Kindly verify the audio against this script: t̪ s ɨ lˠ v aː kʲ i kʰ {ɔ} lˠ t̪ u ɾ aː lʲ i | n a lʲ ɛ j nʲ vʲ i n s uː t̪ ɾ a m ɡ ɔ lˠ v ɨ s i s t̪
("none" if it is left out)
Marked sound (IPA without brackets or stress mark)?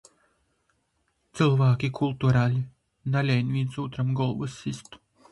u